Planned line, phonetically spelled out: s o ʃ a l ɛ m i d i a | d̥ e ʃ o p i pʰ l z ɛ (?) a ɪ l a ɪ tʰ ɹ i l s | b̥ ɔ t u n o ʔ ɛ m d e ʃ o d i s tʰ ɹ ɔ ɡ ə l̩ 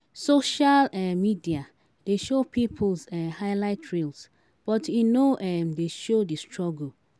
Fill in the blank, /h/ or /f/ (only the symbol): h